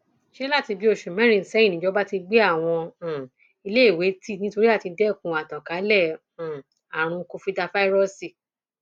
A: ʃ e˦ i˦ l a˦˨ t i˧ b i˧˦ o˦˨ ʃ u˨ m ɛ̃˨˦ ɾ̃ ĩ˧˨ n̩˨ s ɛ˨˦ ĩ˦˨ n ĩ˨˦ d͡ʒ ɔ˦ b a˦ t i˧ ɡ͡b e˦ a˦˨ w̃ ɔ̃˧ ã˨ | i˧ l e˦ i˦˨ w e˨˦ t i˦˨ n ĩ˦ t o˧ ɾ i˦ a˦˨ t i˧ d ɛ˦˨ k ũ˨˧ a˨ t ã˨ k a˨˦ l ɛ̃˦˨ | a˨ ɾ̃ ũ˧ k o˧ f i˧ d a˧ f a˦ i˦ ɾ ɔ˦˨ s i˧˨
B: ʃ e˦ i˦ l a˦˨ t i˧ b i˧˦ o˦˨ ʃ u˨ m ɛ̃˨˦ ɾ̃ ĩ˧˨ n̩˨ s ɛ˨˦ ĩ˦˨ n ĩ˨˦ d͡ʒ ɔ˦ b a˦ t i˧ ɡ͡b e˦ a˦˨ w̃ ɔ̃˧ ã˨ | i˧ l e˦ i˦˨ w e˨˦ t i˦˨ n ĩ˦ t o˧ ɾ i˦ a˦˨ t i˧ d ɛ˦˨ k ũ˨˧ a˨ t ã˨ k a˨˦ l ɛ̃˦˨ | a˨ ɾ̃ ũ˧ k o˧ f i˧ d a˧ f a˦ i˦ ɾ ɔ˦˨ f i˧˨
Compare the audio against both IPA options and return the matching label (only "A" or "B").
A